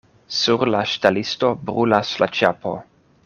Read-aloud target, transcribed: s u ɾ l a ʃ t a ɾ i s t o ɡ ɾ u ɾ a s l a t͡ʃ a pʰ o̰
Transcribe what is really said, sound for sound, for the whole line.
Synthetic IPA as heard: s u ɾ l a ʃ t a l i s t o b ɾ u l a s l a t͡ʃ a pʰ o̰